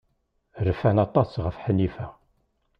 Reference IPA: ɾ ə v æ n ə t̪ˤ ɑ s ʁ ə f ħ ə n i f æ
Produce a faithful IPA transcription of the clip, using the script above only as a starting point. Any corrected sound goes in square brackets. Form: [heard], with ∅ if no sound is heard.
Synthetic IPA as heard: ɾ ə [f] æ n [ɑ] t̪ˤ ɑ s ʁ ə f ħ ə n i f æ